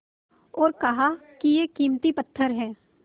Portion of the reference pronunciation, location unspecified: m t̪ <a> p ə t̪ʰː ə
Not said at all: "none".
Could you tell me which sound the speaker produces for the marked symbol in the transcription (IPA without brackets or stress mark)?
i